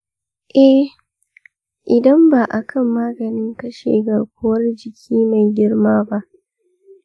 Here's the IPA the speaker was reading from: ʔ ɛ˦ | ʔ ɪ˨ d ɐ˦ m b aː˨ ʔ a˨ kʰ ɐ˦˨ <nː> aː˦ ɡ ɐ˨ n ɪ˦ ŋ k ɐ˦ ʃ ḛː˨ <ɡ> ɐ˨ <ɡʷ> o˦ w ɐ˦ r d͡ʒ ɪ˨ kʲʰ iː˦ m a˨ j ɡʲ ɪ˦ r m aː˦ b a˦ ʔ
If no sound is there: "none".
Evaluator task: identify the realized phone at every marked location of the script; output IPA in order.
mː, ɡ, kʷ

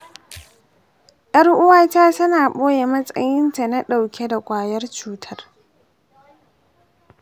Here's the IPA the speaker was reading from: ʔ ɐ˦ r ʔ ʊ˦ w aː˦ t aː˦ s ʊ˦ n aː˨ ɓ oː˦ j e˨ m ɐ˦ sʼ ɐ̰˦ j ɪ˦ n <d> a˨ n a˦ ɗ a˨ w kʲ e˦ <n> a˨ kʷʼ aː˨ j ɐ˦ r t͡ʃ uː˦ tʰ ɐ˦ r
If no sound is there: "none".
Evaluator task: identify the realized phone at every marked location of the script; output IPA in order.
t, d

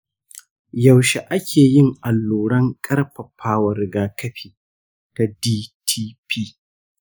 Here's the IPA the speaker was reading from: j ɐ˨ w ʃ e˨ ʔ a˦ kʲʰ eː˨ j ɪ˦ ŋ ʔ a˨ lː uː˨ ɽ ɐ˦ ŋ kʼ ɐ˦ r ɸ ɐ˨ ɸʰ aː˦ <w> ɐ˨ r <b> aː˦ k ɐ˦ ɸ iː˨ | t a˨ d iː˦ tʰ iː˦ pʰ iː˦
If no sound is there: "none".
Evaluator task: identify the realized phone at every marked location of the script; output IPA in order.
w, ɡ

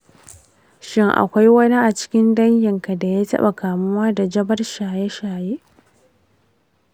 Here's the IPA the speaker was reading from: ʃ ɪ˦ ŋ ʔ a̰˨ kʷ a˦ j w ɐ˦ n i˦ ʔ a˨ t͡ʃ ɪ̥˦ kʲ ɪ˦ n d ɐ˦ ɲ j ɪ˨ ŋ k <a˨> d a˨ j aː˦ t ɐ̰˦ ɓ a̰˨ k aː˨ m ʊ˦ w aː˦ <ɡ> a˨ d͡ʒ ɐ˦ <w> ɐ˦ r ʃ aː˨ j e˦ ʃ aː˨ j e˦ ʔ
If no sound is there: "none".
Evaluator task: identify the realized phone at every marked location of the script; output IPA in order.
a˨, d, b

